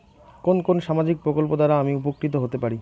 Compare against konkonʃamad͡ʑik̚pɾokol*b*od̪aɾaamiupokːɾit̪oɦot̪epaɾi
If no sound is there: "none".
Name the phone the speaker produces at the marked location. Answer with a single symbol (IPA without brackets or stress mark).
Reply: p